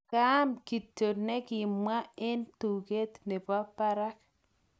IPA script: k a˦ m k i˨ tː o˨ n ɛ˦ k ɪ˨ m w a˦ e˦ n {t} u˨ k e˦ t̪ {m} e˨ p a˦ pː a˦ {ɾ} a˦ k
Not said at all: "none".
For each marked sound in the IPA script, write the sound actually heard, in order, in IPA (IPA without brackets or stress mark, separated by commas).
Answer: t, n, ɾ